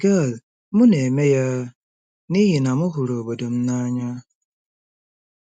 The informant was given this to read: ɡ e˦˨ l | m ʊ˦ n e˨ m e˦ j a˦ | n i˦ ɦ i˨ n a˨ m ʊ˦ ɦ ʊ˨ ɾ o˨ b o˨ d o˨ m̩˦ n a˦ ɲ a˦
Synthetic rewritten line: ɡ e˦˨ l | m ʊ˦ n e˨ m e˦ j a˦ | n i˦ ɦ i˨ n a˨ m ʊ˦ ɦ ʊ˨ ɾ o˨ b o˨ d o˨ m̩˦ n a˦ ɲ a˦